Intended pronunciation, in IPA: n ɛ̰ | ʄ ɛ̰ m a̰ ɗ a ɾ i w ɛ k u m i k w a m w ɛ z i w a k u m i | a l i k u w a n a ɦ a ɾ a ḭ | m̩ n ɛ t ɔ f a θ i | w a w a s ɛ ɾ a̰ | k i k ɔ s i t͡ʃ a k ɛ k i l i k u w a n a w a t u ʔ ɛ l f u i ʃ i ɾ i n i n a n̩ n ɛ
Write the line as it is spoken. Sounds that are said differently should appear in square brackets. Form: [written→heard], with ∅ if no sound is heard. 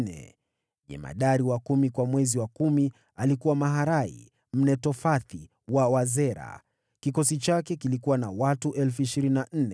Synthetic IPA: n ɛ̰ | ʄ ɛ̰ m a̰ ɗ a ɾ i w [ɛ→a] k u m i k w a m w ɛ z i w a k u m i | a l i k u w a [n→m] a ɦ a ɾ a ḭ | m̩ n ɛ t ɔ f a θ i | w a w a [s→z] ɛ ɾ a̰ | k i k ɔ s i t͡ʃ a k ɛ k i l i k u w a n a w a t u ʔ ɛ l f u i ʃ i ɾ i n i n a n̩ n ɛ